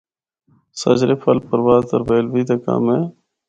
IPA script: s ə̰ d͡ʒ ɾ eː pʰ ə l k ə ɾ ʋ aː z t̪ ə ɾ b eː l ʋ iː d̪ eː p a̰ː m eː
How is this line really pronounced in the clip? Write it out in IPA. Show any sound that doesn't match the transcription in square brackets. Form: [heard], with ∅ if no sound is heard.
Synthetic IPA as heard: s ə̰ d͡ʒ ɾ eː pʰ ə l [p] ə ɾ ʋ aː z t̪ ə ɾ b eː l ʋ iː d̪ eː [k] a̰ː m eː